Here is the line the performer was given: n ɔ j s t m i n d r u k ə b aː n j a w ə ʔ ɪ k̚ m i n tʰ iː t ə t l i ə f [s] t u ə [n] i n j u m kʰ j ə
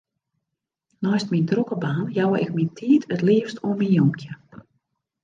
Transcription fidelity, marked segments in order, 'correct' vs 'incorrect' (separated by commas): correct, incorrect